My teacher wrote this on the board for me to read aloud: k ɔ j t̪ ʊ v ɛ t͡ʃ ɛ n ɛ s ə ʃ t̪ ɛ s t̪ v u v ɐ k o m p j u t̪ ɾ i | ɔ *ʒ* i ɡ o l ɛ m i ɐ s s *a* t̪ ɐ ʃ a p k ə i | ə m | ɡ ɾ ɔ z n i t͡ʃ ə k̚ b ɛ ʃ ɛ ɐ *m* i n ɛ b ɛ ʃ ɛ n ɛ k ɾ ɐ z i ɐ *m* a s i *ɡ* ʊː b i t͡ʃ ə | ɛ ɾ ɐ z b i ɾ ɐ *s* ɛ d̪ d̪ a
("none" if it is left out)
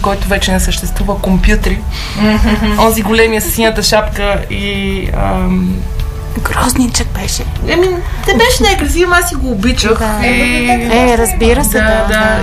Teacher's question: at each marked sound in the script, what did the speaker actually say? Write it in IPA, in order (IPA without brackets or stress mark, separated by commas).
z, i, m, m, ɡ, s